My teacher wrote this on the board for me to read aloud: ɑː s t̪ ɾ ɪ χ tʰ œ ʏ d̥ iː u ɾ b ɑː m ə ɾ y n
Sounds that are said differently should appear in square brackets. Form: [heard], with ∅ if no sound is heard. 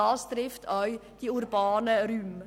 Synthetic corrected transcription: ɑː s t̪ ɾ ɪ [f] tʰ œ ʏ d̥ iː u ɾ b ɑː [n] ə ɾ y [m]